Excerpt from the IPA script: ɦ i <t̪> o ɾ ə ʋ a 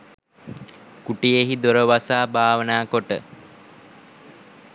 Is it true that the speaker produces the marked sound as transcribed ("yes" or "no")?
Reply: no